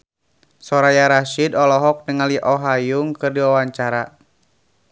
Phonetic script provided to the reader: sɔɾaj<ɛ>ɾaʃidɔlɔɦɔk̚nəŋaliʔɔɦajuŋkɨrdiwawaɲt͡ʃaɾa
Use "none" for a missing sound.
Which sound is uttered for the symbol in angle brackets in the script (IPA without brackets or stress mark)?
a